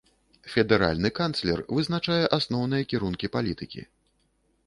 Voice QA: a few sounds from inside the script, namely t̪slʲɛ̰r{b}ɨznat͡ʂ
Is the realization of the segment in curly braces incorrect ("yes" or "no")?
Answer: yes